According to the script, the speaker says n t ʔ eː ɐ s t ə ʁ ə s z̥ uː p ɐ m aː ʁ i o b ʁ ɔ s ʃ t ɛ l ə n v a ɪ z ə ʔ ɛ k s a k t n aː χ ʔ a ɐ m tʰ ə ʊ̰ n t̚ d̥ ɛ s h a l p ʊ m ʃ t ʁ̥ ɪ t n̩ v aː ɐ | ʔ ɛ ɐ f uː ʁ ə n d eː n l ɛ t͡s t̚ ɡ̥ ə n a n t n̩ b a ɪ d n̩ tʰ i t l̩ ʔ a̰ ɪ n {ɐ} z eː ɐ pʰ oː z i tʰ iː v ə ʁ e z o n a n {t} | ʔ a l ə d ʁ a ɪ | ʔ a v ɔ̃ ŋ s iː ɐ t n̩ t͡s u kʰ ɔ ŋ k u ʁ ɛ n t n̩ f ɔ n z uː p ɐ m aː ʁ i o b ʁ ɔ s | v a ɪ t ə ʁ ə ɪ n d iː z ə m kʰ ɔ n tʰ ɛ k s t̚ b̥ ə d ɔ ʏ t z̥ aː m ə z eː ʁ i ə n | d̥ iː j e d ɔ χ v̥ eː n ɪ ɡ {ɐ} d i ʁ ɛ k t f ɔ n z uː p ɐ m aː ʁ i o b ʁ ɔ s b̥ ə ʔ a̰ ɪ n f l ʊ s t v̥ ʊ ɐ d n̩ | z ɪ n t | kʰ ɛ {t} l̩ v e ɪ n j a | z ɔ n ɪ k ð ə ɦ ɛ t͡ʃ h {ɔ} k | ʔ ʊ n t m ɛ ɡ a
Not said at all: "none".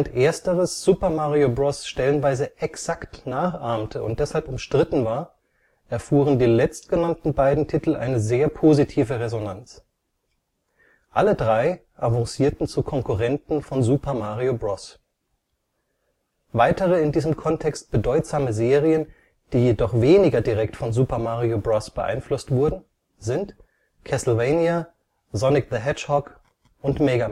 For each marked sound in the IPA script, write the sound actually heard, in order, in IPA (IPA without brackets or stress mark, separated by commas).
ə, t͡s, ɐ, s, ɔ